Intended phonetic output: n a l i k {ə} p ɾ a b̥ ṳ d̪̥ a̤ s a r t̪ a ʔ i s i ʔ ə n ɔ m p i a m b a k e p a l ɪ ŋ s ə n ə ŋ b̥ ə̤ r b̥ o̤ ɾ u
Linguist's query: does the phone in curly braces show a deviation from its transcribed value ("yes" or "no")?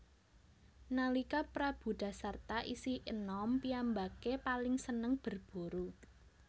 yes